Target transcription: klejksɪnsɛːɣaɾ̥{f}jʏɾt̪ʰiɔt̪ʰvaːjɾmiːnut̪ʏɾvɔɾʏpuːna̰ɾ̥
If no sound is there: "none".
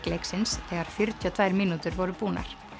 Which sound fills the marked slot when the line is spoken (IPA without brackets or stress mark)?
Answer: f